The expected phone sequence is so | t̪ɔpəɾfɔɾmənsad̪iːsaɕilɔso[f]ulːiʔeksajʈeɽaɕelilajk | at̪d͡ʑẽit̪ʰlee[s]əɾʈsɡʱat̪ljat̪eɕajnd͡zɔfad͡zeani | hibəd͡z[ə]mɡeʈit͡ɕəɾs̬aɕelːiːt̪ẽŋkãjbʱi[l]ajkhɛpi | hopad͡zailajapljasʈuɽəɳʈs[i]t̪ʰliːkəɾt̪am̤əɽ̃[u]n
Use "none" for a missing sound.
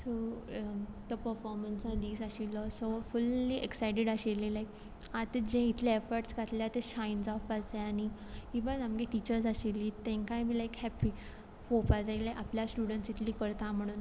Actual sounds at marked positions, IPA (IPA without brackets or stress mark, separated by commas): f, f, a, l, i, uː